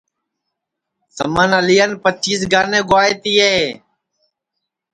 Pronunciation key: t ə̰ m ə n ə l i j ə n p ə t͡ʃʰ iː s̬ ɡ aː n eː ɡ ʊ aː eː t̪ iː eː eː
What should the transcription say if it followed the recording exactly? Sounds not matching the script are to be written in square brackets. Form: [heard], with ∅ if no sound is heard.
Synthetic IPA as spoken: [s] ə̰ m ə n ə l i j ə n p ə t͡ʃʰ iː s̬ ɡ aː n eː ɡ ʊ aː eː t̪ iː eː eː